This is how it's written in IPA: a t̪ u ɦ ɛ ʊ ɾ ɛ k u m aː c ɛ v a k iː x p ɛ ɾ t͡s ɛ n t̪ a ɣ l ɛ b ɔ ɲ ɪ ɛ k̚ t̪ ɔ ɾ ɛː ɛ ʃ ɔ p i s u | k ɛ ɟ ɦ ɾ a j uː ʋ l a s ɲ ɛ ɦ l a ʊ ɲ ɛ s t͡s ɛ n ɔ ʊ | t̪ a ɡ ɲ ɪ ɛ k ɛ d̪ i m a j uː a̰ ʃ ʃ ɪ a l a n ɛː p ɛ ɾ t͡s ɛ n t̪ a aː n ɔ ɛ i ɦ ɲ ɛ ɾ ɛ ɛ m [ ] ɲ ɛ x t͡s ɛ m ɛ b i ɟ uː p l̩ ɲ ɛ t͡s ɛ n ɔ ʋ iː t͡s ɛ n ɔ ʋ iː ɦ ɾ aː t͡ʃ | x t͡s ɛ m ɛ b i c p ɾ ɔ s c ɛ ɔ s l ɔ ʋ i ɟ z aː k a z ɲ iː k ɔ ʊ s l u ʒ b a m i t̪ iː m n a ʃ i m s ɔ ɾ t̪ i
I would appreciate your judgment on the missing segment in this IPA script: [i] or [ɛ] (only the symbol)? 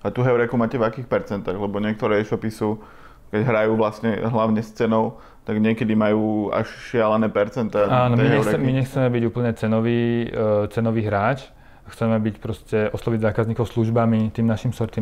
i